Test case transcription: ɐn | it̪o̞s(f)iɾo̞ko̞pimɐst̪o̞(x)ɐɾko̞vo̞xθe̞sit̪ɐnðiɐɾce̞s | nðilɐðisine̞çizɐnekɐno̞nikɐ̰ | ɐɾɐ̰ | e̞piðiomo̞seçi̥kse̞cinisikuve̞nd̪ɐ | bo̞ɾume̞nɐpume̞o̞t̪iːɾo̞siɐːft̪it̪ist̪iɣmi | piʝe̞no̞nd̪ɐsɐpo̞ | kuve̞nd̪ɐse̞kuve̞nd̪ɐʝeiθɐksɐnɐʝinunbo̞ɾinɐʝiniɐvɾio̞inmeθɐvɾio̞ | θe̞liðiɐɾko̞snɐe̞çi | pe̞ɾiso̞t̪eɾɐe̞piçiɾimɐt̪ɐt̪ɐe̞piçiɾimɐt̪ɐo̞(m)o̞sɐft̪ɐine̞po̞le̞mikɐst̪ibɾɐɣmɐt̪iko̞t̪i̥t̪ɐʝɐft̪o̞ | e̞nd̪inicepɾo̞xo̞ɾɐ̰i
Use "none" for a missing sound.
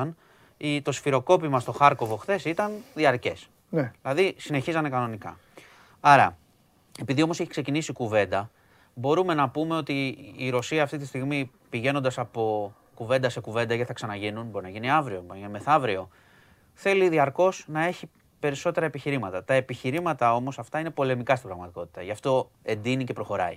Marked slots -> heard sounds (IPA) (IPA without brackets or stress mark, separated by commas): f, x, m